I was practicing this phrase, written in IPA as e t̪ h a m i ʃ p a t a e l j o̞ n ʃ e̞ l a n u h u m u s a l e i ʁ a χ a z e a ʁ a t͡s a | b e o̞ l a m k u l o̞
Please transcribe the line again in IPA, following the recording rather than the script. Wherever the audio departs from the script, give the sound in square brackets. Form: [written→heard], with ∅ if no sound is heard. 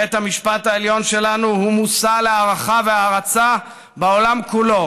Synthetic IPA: e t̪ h a m i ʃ p a t a e l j o̞ n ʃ e̞ l a n u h u m u s a l e [i→a] ʁ a χ a [z→v] e a ʁ a t͡s a | b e o̞ l a m k u l o̞